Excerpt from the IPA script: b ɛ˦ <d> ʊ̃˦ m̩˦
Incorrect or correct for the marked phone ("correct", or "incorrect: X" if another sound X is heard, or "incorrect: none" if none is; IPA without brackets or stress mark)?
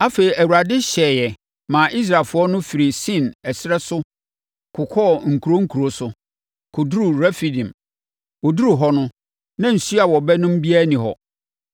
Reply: incorrect: n